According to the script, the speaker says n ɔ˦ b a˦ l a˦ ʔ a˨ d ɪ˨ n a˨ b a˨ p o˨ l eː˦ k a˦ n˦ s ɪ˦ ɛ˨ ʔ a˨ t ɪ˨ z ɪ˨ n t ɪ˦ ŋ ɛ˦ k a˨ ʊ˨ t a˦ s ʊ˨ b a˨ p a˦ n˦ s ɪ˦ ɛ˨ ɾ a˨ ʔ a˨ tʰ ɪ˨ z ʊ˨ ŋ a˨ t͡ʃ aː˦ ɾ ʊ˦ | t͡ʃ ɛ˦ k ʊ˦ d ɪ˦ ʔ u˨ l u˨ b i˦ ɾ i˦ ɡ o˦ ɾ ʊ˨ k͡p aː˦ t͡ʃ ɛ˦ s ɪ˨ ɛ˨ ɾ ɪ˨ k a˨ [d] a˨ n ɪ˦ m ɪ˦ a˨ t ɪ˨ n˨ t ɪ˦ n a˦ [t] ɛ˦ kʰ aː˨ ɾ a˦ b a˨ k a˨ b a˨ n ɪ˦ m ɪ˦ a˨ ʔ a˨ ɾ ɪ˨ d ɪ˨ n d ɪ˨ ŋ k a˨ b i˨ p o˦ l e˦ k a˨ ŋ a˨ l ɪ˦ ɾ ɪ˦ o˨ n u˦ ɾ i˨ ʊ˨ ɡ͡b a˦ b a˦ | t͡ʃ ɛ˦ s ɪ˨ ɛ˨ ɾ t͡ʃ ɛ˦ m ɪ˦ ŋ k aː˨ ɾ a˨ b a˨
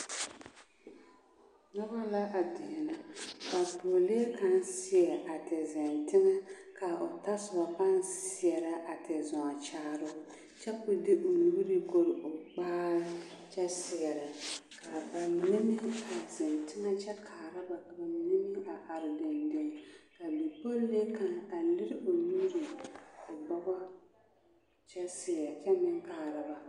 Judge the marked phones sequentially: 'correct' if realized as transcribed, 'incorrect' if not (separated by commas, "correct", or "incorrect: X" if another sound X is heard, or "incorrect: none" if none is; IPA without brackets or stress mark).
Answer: incorrect: b, incorrect: t͡ʃ